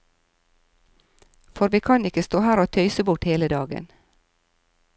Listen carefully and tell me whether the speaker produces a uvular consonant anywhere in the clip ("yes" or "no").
no